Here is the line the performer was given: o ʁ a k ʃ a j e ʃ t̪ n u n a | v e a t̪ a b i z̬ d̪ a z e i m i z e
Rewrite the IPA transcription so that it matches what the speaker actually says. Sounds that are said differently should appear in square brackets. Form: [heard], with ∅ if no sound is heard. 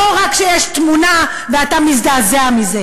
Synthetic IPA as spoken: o ʁ a k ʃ [e] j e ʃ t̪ [m] u n a | v e a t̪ a [m] i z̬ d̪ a z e [a] m i z e